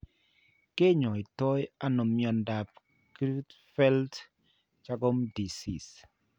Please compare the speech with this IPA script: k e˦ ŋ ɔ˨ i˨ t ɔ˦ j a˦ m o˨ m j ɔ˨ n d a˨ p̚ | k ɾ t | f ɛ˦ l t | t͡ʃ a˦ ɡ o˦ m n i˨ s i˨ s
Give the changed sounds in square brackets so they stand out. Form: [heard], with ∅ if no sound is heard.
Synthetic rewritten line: k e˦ [ɲ] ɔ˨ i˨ t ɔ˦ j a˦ [n] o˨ m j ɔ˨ n d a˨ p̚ | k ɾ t | f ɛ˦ l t | t͡ʃ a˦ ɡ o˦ m [d] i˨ s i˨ s